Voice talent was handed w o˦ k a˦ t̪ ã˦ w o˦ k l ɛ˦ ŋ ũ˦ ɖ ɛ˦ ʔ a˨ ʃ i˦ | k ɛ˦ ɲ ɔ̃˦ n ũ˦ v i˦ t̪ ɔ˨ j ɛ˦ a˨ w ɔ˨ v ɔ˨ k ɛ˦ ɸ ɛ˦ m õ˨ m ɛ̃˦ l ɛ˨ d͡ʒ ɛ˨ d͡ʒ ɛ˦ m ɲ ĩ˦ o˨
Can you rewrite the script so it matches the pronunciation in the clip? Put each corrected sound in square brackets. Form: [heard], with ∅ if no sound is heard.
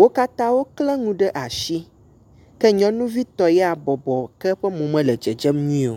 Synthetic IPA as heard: w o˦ k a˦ t̪ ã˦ w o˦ k l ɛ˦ ŋ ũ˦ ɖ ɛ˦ ʔ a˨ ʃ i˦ | k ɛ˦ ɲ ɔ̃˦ n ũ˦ v i˦ t̪ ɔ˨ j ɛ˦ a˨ [b] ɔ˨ [b] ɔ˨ k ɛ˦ ɸ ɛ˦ m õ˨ m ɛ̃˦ l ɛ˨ d͡ʒ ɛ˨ d͡ʒ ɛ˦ m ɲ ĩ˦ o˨